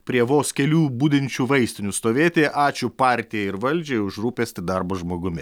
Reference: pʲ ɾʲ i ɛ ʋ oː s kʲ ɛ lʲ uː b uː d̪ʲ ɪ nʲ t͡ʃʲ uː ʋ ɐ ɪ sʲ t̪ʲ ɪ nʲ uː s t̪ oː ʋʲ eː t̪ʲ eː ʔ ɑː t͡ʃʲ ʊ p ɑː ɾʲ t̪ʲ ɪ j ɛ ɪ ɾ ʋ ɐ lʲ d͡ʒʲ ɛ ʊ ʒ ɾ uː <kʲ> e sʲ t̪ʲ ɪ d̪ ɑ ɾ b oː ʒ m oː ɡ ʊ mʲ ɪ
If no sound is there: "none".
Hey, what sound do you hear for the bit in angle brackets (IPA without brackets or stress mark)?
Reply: pʲ